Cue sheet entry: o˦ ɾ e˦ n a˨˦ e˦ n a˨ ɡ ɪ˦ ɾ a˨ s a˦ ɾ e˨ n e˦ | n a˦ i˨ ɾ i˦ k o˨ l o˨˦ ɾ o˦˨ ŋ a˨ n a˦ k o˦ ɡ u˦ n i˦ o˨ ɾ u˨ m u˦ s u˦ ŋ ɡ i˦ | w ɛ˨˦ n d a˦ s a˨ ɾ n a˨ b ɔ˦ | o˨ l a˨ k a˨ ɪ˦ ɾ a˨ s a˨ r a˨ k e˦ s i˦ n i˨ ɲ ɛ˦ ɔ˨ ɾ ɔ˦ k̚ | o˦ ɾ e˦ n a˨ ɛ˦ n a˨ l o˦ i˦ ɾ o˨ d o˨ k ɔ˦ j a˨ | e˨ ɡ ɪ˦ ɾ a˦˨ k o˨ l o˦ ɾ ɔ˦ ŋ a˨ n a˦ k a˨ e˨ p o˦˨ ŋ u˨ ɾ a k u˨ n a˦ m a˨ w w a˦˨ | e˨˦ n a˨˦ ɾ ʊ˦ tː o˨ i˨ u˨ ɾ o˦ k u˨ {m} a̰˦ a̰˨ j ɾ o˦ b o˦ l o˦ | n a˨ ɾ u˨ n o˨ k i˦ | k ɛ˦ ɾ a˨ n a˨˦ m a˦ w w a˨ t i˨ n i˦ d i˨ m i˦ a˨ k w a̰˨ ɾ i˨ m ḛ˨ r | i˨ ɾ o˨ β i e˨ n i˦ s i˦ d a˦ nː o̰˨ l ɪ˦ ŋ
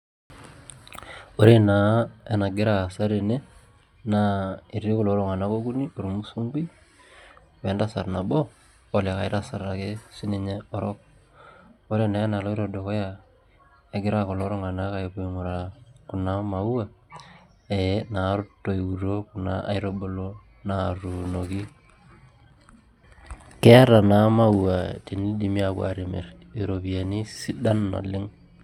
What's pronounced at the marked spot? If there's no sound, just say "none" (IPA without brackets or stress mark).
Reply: n